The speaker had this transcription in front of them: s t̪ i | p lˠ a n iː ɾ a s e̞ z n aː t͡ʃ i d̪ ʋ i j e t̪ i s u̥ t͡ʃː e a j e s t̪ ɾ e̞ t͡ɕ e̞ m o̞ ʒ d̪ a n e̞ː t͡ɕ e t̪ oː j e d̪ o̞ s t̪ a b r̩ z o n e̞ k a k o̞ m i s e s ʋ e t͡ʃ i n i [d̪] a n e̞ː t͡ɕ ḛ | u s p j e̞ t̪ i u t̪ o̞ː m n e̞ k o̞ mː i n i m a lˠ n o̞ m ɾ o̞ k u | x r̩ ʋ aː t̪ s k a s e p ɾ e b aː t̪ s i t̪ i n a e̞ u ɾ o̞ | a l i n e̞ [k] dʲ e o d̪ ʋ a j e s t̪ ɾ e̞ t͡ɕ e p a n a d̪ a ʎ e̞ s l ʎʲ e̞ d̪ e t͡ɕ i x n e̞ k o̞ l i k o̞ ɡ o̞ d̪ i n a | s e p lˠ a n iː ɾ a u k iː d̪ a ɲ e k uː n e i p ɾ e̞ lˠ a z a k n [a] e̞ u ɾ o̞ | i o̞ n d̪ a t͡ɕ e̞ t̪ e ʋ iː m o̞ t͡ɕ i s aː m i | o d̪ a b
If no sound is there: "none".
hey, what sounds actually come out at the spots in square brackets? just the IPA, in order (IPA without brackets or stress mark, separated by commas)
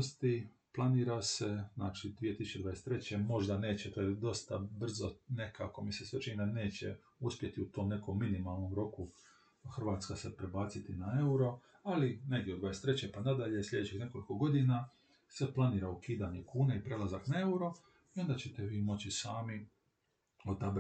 d̪, ɡ, a